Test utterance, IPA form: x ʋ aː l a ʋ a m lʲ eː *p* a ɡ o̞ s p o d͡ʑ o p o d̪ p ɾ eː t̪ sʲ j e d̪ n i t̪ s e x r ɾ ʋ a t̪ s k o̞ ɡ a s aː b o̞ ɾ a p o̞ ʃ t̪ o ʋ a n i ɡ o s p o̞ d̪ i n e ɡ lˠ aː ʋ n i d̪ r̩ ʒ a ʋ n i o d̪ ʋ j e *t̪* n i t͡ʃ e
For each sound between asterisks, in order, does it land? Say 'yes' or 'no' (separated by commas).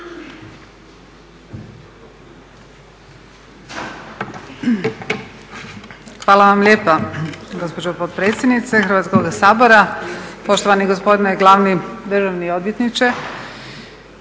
yes, yes